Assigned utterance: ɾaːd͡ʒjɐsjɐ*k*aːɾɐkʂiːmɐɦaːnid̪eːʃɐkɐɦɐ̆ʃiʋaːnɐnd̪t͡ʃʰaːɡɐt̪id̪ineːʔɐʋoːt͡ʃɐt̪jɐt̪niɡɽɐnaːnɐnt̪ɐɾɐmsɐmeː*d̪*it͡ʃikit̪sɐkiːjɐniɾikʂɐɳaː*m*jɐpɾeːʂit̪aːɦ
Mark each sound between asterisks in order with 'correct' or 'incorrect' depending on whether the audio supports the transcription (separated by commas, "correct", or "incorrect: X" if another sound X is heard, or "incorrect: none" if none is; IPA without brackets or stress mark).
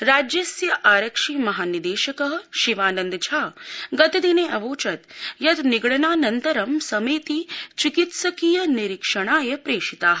incorrect: ʔ, incorrect: t̪, incorrect: none